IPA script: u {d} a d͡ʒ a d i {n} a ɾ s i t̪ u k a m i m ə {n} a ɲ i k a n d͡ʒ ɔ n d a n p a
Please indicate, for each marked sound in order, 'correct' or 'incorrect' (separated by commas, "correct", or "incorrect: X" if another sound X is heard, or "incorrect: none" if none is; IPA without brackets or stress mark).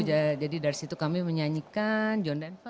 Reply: incorrect: d͡ʒ, incorrect: d, incorrect: ɲ